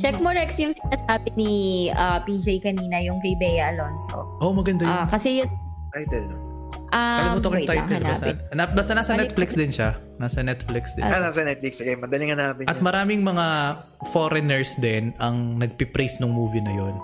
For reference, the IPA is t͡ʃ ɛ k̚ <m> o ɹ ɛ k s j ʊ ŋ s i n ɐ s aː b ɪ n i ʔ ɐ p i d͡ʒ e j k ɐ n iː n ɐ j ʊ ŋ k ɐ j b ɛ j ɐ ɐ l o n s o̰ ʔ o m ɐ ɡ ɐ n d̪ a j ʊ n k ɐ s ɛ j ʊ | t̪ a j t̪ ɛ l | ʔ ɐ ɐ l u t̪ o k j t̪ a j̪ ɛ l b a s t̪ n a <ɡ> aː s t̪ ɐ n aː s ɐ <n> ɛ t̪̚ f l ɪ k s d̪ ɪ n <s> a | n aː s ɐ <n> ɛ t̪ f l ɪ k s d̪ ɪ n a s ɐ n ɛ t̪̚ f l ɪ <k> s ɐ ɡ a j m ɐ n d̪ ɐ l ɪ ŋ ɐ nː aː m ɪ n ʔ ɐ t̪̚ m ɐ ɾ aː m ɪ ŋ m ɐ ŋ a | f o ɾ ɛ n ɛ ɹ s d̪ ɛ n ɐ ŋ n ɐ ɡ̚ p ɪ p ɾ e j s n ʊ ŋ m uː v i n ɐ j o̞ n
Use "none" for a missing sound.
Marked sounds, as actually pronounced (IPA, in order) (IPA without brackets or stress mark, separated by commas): m, b, n, ʃ, n, k